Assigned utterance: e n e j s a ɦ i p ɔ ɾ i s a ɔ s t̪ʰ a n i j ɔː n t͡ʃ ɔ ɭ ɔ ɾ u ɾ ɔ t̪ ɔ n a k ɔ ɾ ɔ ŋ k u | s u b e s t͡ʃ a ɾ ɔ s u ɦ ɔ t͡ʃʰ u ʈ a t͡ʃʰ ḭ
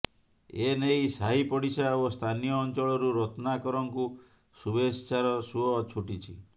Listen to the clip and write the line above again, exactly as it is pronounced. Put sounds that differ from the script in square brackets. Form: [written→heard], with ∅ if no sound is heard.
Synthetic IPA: e n e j s a ɦ i p ɔ [ɾ→ɽ] i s a [ɔ→o] s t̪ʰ a n i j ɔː n t͡ʃ ɔ ɭ ɔ ɾ u ɾ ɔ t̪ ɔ n a k ɔ ɾ ɔ ŋ k u | s u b e s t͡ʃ a ɾ ɔ s u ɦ ɔ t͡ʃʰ u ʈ [a→i] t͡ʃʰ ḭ